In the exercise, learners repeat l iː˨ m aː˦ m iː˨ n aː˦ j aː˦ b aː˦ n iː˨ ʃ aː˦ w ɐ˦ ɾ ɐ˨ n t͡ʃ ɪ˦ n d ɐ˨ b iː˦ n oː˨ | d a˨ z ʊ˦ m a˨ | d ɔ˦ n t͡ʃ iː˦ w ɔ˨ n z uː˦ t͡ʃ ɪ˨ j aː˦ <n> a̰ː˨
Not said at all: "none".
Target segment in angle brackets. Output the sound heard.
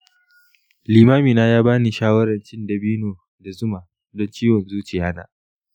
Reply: n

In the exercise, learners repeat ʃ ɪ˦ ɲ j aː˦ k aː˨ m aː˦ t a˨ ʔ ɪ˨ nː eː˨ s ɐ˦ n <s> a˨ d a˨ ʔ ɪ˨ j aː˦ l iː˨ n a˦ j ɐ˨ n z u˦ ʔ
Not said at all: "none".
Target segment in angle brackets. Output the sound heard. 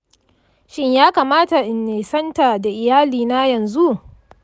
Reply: t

